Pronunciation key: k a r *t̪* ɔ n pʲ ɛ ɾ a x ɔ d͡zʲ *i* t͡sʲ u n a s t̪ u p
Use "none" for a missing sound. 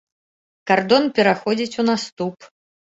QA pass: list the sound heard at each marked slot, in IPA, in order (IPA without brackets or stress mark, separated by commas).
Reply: d̪, i